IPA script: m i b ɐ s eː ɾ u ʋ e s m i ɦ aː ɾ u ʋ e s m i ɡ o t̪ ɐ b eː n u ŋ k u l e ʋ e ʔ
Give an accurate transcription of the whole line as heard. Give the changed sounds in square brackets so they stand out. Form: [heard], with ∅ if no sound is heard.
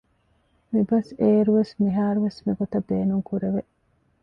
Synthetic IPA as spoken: m i b ɐ s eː ɾ u ʋ e s m i ɦ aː ɾ u ʋ e s m i ɡ o t̪ ɐ b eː n u ŋ k u [ɾ] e ʋ e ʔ

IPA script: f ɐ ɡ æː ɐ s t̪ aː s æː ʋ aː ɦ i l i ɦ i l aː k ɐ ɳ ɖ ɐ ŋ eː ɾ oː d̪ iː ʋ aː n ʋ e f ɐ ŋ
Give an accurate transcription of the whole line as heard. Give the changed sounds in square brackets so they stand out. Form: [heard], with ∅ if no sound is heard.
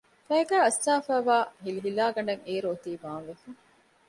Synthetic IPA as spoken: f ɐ ɡ æː ɐ s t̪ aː [f] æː ʋ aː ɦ i l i ɦ i l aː [ɡ] ɐ ɳ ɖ ɐ ŋ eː ɾ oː [t̪] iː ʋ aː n ʋ e f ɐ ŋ

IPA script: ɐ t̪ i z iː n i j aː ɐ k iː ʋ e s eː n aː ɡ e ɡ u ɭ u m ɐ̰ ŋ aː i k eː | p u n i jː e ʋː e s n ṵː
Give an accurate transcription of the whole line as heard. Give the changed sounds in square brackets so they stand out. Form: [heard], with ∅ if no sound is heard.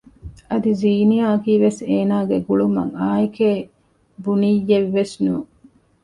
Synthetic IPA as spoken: ɐ [d̪] i z iː n i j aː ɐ k iː ʋ e s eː n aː ɡ e ɡ u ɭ u m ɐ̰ ŋ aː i k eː | [b] u n i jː e ʋː e s n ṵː

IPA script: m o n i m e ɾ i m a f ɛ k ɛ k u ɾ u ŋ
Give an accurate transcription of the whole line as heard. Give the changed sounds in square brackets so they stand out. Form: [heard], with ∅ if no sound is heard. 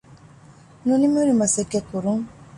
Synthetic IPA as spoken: [n] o n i m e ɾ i m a [s] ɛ k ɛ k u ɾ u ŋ

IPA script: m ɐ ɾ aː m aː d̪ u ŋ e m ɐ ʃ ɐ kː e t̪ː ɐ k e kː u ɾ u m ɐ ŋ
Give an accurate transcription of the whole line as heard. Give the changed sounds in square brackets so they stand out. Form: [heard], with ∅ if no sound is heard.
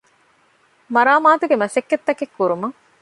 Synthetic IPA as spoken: m ɐ ɾ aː m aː [t̪] u [ɡ] e m ɐ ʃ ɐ kː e t̪ː ɐ k e kː u ɾ u m ɐ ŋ

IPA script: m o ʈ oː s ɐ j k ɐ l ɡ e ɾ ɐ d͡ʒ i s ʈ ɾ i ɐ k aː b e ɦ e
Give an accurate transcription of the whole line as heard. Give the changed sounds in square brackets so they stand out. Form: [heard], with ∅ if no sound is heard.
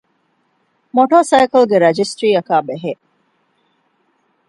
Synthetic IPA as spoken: m o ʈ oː s ɐ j k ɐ l ɡ e ɾ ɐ d͡ʒ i s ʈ ɾ [iː] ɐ k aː b e ɦ e

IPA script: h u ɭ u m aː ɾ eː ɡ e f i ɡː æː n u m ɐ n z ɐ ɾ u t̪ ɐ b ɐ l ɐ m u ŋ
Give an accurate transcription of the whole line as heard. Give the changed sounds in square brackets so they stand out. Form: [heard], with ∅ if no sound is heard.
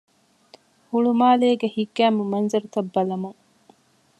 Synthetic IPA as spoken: h u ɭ u m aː [l] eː ɡ e [h] i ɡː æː [m] u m ɐ n z ɐ ɾ u t̪ ɐ [bː] ɐ l ɐ m u ŋ

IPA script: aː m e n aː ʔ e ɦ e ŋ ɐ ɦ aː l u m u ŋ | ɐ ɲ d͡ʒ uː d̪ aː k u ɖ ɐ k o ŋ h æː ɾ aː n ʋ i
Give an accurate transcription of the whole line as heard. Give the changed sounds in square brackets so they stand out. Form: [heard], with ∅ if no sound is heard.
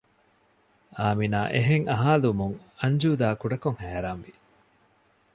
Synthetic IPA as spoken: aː m [i] n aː ʔ e ɦ e ŋ ɐ ɦ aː l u m u ŋ | ɐ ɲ d͡ʒ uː d̪ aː k u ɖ ɐ k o ŋ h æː ɾ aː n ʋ i

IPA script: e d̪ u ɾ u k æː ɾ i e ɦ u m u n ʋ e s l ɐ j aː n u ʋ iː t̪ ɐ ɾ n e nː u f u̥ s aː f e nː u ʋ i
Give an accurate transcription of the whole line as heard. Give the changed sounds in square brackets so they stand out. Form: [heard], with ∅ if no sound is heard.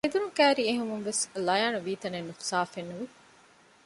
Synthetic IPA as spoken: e d̪ u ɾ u k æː ɾ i e ɦ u m u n ʋ e s l ɐ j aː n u ʋ iː t̪ ɐ [∅] n e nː u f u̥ s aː f e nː u ʋ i

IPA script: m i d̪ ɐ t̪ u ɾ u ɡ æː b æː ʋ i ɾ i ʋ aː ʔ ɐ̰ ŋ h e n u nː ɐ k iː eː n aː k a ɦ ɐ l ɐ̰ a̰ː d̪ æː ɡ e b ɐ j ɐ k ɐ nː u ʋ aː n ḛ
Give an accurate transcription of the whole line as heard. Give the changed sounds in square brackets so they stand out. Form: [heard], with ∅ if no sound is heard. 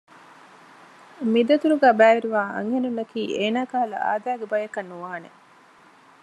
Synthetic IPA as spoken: m i d̪ ɐ t̪ u ɾ u ɡ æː b æː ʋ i ɾ i ʋ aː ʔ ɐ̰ ŋ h e n u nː ɐ k iː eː n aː k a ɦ ɐ l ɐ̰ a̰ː d̪ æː ɡ e b ɐ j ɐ k ɐ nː u ʋ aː n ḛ

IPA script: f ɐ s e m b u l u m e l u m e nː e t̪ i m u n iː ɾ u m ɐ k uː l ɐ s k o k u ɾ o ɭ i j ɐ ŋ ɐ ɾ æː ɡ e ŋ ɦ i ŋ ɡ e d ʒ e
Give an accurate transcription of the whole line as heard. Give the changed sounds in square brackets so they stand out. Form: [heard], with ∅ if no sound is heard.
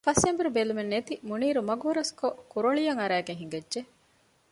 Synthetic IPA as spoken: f ɐ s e m b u [ɾ] u [b] e l u m e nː e t̪ i m u n iː ɾ u m ɐ [ɡ] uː [ɾ] ɐ s k o k u ɾ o ɭ i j ɐ ŋ ɐ ɾ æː ɡ e ŋ ɦ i ŋ ɡ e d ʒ e

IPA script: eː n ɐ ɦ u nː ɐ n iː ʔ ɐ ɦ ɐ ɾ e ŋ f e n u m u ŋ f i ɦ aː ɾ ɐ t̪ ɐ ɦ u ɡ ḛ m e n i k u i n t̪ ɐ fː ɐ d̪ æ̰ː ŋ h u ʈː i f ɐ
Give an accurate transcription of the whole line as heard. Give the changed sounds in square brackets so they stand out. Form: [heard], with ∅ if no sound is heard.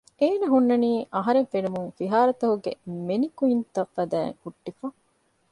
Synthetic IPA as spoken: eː n ɐ ɦ u nː ɐ n iː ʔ ɐ ɦ ɐ ɾ e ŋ f e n u m u ŋ f i ɦ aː ɾ ɐ t̪ ɐ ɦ u ɡ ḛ m e n i k u i n t̪ ɐ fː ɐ d̪ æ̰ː ŋ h u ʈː i f ɐ

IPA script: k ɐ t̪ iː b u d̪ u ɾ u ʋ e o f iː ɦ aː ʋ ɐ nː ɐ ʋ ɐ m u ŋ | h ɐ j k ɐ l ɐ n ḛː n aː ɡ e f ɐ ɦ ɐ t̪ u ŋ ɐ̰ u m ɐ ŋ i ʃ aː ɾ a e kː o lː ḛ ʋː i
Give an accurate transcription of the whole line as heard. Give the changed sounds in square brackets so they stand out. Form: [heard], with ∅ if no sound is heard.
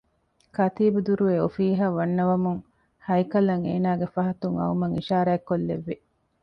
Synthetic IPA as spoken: k ɐ t̪ iː b u d̪ u ɾ u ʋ e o f iː ɦ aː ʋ ɐ nː ɐ ʋ ɐ m u ŋ | h ɐ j k ɐ l ɐ [ŋ] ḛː n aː ɡ e f ɐ ɦ ɐ t̪ u ŋ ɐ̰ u m ɐ ŋ i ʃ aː ɾ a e kː o lː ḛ ʋː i

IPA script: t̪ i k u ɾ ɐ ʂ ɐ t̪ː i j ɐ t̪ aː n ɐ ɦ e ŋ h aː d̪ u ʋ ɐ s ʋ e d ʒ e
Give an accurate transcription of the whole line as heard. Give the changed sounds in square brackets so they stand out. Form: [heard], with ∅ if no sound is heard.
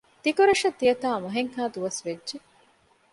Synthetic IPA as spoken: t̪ i k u ɾ ɐ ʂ ɐ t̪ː i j ɐ t̪ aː [m] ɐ ɦ e ŋ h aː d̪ u ʋ ɐ s ʋ e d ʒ e

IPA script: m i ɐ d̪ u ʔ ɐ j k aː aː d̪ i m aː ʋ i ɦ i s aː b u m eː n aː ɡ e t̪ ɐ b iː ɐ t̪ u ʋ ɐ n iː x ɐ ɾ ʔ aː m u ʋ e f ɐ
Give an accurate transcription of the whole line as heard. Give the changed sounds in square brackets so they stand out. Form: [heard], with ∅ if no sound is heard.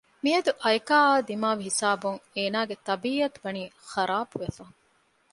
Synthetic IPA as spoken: m i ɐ d̪ u ʔ ɐ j k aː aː d̪ i m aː ʋ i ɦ i s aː b u [ŋ] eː n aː ɡ e t̪ ɐ b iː ɐ t̪ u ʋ ɐ n iː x ɐ ɾ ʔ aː [b] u ʋ e f ɐ

